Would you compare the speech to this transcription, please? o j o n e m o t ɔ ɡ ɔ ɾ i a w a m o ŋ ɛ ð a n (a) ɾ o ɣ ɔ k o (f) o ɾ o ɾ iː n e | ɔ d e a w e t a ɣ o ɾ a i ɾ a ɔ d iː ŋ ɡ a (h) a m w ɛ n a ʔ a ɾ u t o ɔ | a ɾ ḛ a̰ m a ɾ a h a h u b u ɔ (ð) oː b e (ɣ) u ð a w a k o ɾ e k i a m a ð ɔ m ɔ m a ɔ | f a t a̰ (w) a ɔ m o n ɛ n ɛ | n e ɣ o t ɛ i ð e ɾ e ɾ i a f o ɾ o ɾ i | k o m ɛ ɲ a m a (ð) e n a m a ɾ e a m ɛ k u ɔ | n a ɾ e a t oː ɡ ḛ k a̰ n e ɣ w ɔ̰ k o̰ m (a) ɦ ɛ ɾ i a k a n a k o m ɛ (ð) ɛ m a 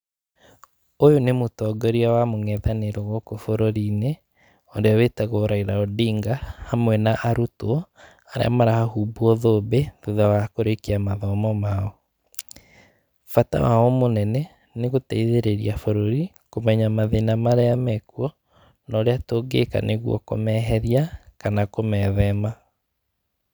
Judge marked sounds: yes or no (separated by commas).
no, yes, yes, yes, no, yes, yes, no, yes